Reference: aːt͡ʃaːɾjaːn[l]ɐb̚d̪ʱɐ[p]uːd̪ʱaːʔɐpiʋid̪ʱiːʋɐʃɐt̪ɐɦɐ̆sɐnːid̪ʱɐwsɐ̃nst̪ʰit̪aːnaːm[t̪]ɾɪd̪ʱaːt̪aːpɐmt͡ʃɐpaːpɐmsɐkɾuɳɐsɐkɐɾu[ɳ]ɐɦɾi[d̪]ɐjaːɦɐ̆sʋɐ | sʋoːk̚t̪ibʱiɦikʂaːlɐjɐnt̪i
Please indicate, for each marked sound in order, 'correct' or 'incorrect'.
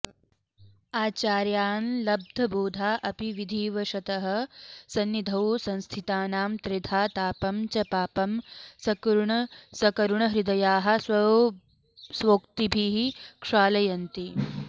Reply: correct, incorrect, correct, correct, correct

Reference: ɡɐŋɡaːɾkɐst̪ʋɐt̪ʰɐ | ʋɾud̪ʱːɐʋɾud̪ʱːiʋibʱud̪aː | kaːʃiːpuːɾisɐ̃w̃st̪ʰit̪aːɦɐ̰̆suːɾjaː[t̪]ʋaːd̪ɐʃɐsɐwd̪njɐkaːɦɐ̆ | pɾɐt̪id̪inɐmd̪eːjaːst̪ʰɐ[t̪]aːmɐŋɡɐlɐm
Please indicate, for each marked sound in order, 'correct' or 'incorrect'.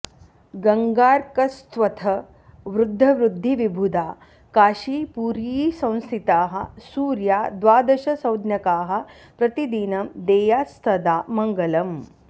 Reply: incorrect, incorrect

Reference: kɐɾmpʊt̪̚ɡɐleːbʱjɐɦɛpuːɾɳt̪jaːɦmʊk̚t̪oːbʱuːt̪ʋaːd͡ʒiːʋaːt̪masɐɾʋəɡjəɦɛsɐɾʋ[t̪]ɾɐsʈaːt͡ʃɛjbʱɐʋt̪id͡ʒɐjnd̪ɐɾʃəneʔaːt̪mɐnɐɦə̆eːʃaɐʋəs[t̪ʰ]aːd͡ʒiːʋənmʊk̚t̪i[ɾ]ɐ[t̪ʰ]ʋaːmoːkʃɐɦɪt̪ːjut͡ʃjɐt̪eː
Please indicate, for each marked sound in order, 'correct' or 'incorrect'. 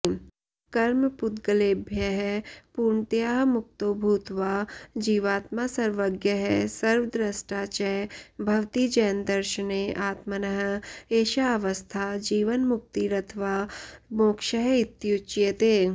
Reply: incorrect, correct, correct, correct

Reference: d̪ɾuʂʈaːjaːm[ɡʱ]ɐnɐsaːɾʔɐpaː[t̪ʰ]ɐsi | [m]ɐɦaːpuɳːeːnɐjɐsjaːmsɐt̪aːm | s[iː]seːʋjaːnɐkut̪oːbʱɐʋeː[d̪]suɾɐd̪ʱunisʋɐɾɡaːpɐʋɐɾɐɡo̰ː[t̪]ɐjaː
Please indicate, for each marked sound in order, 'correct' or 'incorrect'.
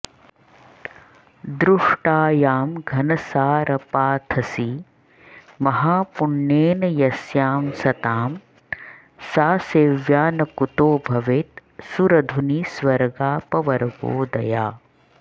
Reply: correct, correct, correct, incorrect, incorrect, incorrect

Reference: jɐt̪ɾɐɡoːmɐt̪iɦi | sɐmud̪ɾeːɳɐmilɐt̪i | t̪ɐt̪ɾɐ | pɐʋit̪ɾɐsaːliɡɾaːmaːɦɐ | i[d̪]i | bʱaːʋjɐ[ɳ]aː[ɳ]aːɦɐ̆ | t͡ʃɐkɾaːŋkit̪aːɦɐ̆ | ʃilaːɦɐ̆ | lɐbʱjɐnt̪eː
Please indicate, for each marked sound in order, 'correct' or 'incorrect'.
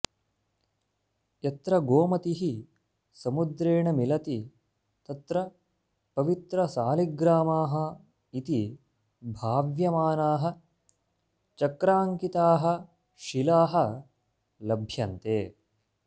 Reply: incorrect, incorrect, incorrect

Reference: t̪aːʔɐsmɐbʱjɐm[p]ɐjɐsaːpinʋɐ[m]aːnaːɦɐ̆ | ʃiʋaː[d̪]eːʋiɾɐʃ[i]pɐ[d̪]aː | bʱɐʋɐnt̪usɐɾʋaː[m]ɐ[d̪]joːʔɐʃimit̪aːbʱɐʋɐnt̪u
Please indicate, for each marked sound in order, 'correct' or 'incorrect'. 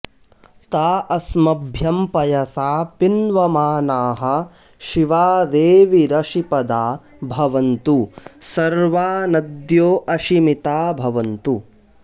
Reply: correct, correct, correct, correct, correct, incorrect, correct

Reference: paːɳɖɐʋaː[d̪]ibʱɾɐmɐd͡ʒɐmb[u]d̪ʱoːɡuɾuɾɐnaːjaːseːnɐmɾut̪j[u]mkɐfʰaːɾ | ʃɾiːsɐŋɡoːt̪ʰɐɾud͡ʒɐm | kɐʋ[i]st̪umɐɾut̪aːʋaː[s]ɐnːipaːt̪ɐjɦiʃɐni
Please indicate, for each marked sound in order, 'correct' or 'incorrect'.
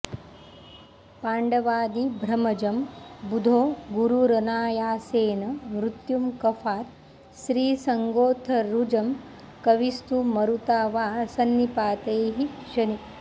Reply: correct, correct, correct, correct, correct

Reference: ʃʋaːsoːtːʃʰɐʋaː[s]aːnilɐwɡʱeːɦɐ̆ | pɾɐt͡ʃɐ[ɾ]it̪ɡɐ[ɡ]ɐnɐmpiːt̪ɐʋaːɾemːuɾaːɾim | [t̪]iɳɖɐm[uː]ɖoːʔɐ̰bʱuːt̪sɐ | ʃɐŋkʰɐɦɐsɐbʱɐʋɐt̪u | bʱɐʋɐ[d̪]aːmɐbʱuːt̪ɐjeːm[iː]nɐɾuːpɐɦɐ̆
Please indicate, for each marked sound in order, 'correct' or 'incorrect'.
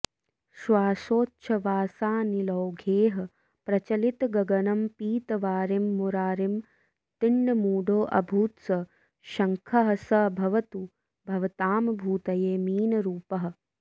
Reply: correct, incorrect, correct, correct, correct, incorrect, correct

